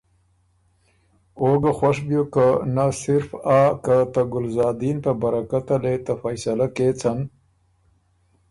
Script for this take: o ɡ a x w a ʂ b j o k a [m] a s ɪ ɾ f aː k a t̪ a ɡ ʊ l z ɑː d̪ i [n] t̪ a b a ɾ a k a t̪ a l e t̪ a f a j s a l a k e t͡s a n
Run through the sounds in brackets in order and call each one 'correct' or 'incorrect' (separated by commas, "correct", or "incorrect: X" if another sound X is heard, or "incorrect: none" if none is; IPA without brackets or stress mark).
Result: incorrect: n, correct